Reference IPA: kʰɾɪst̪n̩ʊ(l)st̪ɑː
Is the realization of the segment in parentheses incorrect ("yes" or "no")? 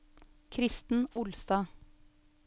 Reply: no